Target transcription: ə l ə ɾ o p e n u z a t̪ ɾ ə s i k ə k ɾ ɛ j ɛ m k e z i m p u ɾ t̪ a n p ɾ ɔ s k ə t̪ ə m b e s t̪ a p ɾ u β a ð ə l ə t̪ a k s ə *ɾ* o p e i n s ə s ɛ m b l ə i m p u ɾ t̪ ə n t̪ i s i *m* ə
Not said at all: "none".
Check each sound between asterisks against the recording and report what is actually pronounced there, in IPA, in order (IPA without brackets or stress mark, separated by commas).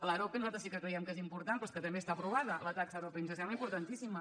ɾ, m